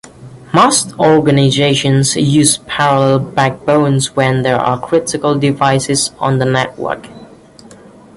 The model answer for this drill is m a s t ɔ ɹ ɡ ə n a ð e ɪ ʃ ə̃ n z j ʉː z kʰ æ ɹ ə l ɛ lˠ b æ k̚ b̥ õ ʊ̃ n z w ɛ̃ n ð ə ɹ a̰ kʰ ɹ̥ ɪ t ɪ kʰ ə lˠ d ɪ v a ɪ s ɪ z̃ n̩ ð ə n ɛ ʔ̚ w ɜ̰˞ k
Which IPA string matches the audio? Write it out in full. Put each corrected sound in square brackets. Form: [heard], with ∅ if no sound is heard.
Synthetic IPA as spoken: m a s t ɔ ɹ ɡ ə n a [z] e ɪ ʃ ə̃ n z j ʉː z [pʰ] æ ɹ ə l ɛ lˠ b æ k̚ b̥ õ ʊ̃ n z w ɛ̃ n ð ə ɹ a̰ kʰ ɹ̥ ɪ t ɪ [k] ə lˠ d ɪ v a ɪ s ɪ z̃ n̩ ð ə n ɛ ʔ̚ w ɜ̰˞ k